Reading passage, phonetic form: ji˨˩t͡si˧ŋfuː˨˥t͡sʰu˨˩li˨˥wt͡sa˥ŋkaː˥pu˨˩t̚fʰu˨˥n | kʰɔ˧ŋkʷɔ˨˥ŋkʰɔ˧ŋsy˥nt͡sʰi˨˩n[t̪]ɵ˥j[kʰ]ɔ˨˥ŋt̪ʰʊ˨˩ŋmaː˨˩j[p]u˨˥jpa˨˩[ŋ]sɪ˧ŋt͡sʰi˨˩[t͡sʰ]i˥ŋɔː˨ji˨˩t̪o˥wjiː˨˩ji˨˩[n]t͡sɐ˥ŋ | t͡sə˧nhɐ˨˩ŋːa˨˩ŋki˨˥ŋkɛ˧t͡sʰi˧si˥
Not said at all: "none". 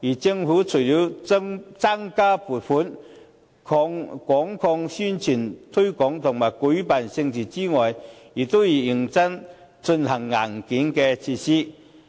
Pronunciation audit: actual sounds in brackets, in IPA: t̪ʰ, k, k, n, t͡s, ŋ

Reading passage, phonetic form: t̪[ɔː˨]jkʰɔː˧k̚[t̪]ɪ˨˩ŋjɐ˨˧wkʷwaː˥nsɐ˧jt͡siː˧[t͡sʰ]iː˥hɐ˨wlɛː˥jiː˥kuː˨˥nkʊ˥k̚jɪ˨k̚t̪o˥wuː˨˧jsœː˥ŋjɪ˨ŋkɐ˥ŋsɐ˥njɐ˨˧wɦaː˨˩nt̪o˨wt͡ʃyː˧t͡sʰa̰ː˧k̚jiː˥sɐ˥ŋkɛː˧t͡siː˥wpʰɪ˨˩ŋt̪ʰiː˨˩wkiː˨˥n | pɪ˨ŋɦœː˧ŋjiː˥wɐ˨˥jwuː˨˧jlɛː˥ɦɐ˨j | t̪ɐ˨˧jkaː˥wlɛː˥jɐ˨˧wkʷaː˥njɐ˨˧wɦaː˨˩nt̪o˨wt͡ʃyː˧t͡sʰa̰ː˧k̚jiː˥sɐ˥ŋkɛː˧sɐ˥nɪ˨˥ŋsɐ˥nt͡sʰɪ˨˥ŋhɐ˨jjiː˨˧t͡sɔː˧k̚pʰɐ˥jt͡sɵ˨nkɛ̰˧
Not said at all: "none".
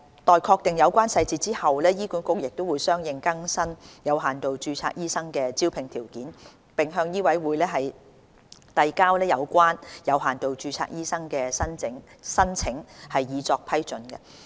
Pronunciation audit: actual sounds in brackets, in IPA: ɔː˨, t̪, t͡s

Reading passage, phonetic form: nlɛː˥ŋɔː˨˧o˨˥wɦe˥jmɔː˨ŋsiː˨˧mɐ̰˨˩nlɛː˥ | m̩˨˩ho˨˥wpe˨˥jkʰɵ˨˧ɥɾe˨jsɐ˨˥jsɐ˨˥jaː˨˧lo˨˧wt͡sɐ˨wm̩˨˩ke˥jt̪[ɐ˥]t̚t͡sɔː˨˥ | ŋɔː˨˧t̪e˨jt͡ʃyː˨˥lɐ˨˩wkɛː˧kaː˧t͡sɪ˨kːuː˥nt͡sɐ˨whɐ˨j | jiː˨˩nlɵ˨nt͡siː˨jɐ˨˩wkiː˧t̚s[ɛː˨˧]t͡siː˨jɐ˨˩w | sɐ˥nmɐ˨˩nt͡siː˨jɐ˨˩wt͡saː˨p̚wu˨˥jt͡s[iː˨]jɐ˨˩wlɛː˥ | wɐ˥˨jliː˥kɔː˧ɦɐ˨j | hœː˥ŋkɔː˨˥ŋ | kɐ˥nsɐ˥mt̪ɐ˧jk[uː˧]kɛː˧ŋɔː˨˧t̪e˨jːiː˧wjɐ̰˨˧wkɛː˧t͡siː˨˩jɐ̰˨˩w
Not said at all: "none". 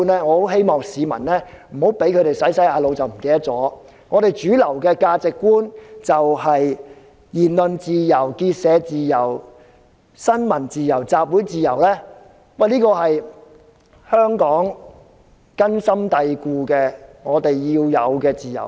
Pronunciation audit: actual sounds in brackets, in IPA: ɐ˥, ɛː˨˧, iː˨, uː˧

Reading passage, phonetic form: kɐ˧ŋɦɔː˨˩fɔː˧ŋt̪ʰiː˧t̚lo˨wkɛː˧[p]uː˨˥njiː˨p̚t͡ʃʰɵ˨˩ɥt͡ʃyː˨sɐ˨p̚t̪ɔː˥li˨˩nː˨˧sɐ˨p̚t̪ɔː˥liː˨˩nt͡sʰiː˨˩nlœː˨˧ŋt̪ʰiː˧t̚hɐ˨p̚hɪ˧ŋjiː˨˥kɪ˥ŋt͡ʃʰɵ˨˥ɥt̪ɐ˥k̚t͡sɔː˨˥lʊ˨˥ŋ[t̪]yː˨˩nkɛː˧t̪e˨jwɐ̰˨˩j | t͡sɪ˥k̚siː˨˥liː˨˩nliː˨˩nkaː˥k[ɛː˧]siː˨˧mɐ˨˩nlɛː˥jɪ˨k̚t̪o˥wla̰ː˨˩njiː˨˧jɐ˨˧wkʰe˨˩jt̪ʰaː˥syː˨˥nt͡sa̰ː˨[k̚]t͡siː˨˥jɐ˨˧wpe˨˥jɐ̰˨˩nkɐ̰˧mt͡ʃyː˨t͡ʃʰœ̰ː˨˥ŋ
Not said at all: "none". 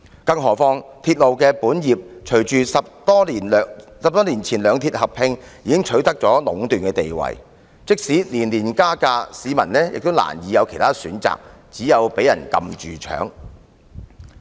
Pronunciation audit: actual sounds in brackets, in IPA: p, t̪, aː˧, k̚

